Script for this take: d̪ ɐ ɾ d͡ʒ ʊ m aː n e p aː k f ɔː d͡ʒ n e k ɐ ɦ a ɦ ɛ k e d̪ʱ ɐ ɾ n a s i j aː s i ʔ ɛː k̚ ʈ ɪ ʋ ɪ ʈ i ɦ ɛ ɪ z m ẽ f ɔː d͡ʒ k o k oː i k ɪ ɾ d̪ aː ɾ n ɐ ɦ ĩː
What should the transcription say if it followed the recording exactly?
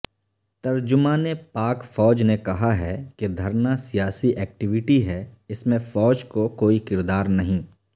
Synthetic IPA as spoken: t̪ ɐ ɾ d͡ʒ ʊ m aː n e p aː k f ɔː d͡ʒ n e k ɐ ɦ a ɦ ɛ k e d̪ʱ ɐ ɾ n a s i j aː s i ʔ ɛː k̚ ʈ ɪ ʋ ɪ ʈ i ɦ ɛ ɪ s m ẽ f ɔː d͡ʒ k o k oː i k ɪ ɾ d̪ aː ɾ n ɐ ɦ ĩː

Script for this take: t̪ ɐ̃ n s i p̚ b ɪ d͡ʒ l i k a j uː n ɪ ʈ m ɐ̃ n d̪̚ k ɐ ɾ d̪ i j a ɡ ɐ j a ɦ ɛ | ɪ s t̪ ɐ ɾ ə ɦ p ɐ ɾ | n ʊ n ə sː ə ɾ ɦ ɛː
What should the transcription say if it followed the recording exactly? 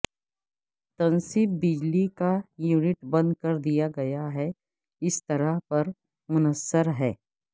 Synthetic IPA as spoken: t̪ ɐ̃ n s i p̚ b ɪ d͡ʒ l i k a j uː n ɪ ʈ b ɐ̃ n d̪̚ k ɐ ɾ d̪ i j a ɡ ɐ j a ɦ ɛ | ɪ s t̪ ɐ ɾ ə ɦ p ɐ ɾ | m ʊ n ə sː ə ɾ ɦ ɛː

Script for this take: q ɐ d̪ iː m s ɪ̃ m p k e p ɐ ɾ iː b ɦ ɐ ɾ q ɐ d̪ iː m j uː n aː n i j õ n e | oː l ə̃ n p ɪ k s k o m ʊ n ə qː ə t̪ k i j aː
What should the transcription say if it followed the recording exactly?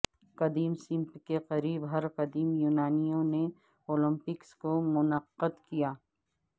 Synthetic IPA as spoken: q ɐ d̪ iː m s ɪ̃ m p k e q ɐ ɾ iː b ɦ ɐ ɾ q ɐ d̪ iː m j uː n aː n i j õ n e | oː l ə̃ m p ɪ k s k o m ʊ n ə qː ə d̪ k i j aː

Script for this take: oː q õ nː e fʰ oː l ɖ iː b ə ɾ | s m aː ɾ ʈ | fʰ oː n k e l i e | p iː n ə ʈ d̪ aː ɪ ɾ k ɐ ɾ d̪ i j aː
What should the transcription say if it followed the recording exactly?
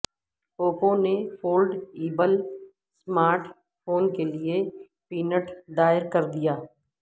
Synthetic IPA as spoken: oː p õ n e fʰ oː l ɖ iː b ə l | s m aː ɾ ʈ | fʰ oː n k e l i e | p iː n ə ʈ d̪ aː ɪ ɾ k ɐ ɾ d̪ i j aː

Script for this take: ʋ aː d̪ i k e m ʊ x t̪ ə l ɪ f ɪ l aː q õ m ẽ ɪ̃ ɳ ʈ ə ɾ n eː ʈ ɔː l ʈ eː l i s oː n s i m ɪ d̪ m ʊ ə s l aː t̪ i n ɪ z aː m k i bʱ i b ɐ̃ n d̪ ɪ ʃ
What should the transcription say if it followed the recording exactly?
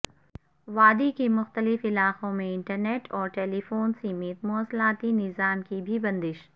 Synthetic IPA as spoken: ʋ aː d̪ i k e m ʊ x t̪ ə l ɪ f ɪ l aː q õ m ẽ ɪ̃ ɳ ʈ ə ɾ n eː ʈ ɔː ɾ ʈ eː l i f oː n s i m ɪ t̪ m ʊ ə s l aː t̪ i n ɪ z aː m k i bʱ i b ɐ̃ n d̪ ɪ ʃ

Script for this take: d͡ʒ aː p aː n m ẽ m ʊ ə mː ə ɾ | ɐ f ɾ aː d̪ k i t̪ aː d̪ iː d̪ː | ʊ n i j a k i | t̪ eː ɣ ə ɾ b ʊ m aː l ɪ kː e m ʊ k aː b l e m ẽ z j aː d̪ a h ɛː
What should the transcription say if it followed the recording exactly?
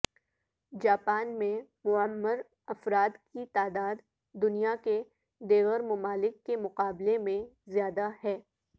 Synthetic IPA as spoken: d͡ʒ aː p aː n m ẽ m ʊ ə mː ə ɾ | ɐ f ɾ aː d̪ k i t̪ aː d̪ aː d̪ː | ʊ n i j a k e | d̪ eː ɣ ə ɾ m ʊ m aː l ɪ kː e m ʊ q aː b l e m ẽ z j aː d̪ a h ɛː

